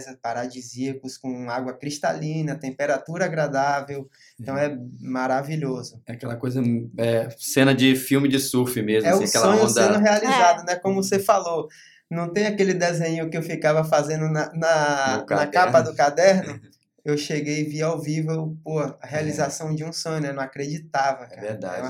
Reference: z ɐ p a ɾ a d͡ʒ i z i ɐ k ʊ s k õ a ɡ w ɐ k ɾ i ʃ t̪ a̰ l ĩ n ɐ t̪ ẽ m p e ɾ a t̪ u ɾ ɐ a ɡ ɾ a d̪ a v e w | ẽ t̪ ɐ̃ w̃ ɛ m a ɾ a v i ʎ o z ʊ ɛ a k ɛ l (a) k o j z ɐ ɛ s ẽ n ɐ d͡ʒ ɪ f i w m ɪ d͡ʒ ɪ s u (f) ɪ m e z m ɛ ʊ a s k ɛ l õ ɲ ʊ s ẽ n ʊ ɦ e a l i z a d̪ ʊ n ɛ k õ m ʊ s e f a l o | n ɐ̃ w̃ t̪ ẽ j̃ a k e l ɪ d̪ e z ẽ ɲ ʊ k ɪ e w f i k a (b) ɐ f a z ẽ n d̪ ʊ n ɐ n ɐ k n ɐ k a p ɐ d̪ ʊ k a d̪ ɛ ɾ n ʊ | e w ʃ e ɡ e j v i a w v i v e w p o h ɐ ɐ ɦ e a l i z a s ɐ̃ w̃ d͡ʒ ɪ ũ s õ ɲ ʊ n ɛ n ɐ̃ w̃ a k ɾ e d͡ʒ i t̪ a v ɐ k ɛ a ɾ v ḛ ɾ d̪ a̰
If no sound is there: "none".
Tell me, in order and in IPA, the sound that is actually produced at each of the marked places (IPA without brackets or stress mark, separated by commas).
ɐ, f, v